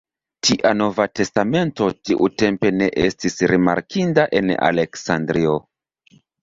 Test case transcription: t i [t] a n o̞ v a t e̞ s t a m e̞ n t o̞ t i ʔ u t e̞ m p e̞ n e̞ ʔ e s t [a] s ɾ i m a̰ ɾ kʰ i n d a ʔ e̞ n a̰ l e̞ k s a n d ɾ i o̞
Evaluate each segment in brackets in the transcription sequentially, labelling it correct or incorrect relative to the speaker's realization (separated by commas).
incorrect, incorrect